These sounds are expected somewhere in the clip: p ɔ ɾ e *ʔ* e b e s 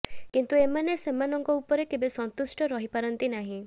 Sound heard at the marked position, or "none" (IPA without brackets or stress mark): k